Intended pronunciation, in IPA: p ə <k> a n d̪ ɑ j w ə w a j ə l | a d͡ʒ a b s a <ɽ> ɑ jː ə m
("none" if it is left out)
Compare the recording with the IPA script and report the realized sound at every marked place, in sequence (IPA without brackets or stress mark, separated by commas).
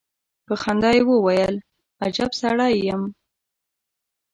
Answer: x, ɽ